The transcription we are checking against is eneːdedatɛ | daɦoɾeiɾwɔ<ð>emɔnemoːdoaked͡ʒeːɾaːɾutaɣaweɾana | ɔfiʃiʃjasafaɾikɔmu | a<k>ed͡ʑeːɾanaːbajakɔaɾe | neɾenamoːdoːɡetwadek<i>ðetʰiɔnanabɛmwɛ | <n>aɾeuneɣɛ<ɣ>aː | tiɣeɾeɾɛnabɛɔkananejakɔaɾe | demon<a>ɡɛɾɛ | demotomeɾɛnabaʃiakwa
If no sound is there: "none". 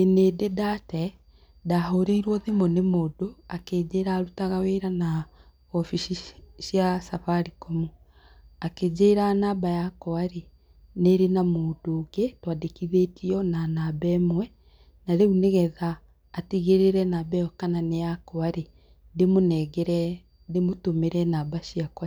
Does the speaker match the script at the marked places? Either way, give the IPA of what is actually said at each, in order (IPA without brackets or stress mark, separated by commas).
ð, k, i, n, ð, ɛ